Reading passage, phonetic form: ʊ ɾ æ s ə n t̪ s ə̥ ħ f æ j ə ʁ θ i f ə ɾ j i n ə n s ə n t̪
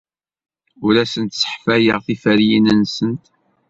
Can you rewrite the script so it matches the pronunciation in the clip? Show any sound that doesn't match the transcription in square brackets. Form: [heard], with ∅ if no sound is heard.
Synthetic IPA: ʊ ɾ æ s ə n t̪ s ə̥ ħ f æ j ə ʁ θ i f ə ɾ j i n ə n s ə n t̪